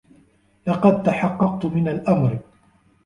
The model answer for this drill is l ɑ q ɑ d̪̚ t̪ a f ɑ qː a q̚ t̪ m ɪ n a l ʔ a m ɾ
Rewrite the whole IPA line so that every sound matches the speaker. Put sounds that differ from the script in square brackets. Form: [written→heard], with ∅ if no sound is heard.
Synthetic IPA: l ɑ q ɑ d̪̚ t̪ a [f→ħ] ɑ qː [a→ɑ] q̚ t̪ m ɪ n a l ʔ a m ɾ